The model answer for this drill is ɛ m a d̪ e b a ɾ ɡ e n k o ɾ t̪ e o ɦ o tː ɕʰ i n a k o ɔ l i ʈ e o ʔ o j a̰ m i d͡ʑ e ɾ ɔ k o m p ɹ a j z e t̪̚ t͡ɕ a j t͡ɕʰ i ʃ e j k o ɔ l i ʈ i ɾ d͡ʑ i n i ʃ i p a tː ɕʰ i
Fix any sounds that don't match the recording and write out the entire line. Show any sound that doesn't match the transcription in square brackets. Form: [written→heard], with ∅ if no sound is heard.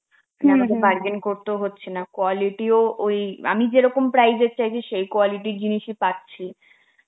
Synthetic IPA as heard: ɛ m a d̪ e b a ɾ ɡ e n k o ɾ t̪ e o ɦ o tː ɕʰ [i→e] n a k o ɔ l i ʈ [e→i] o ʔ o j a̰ m i d͡ʑ e ɾ ɔ k o m p [ɹ→ɾ] a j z e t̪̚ t͡ɕ a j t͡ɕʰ i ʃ e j k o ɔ l i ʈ i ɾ d͡ʑ i n i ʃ i p a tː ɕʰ i

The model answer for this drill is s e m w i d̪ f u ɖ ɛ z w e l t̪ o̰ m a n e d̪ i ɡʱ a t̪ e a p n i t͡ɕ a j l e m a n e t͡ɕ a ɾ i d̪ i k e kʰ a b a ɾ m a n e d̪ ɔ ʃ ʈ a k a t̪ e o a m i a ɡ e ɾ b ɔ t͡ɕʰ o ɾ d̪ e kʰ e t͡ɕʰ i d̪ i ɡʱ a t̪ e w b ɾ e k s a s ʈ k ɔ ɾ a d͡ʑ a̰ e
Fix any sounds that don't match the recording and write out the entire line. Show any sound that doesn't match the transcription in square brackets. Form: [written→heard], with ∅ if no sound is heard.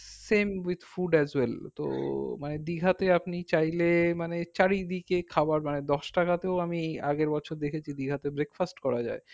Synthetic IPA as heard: s e m w i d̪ f u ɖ ɛ z w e l t̪ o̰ m a n e d̪ i ɡʱ a t̪ e a p n i t͡ɕ a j l e m a n e t͡ɕ a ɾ i d̪ i k e kʰ a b a ɾ m a n e d̪ ɔ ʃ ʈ a k a t̪ e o a m i a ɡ e ɾ b ɔ t͡ɕʰ o ɾ d̪ e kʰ e t͡ɕʰ i d̪ i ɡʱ a t̪ e [w→∅] b ɾ e k [s→f] a s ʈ k ɔ ɾ a d͡ʑ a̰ e

